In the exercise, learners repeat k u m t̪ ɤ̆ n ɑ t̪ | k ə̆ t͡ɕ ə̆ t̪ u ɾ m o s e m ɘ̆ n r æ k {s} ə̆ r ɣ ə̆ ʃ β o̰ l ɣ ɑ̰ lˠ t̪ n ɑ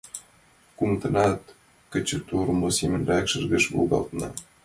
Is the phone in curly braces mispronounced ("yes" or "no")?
yes